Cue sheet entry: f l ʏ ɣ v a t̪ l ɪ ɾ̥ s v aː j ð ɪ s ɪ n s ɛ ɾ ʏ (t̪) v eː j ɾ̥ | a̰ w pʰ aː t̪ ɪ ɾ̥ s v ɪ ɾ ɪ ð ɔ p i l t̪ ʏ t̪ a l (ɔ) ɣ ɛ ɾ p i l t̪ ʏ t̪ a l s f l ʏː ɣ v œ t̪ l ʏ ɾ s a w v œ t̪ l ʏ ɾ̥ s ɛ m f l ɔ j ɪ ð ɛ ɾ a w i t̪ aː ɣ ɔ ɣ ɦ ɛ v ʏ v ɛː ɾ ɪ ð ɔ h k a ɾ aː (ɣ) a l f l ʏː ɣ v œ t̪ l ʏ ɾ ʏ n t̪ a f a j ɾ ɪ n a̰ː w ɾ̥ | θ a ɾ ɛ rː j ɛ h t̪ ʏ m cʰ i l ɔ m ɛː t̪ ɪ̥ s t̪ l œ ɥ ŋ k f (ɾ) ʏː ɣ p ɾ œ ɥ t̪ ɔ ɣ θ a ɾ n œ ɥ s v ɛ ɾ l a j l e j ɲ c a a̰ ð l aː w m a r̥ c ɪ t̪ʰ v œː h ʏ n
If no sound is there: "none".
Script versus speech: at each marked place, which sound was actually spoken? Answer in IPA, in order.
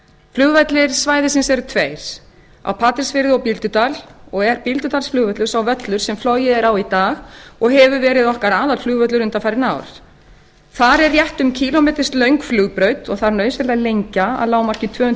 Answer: t̪ʰ, ɔ, ð, l

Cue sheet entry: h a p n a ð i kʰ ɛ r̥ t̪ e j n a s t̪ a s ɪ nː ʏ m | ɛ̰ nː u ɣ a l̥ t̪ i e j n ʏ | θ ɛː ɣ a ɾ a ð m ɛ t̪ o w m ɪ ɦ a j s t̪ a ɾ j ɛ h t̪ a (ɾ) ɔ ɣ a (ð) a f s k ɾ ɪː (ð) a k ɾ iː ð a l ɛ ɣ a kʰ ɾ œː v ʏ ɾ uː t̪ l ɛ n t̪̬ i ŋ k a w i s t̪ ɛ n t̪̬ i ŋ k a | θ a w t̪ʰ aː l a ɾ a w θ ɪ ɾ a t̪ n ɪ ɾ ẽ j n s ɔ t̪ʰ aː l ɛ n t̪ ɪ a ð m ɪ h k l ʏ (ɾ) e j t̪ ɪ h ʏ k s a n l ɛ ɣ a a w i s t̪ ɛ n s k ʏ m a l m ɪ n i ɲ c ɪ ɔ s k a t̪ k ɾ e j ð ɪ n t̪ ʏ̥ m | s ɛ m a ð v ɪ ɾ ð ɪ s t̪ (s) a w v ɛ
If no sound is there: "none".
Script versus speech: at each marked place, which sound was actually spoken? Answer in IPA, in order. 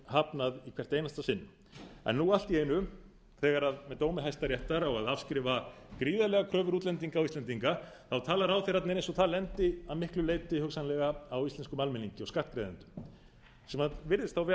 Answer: ɾ, ð, v, l, θ

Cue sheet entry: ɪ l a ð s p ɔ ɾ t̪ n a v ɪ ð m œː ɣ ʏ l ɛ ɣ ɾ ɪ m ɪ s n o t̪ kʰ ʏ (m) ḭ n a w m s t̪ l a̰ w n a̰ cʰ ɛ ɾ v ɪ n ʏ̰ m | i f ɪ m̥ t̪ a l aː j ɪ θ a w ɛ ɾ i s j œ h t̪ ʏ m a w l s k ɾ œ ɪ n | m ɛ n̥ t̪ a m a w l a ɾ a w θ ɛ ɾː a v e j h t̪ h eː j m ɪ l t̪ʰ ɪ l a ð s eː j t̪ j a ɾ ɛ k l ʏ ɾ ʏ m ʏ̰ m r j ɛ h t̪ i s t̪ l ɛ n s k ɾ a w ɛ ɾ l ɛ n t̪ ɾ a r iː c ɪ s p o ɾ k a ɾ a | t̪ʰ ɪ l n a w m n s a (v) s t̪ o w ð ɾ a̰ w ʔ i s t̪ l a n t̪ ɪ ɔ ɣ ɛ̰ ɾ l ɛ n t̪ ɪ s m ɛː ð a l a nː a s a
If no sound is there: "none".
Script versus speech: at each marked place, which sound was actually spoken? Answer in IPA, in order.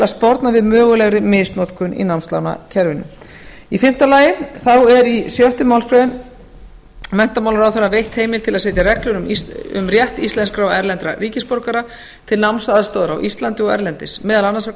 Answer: n, ð

